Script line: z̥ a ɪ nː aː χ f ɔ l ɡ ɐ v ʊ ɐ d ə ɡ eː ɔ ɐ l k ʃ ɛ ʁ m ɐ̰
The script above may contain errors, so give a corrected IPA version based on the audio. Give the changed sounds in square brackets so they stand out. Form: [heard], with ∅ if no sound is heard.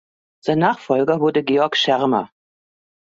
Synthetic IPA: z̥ a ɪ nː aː χ f ɔ l ɡ ɐ v ʊ ɐ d ə ɡ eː ɔ ɐ [∅] k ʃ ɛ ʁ m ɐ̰